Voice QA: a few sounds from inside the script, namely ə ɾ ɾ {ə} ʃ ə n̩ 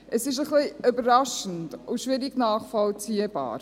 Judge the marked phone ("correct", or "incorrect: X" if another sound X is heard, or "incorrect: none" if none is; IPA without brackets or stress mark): incorrect: ɑ